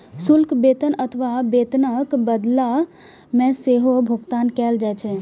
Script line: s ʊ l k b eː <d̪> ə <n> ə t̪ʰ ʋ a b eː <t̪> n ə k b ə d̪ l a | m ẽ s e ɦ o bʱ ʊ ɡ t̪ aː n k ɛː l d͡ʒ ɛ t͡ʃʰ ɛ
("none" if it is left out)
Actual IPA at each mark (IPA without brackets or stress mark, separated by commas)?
t̪, n, t̪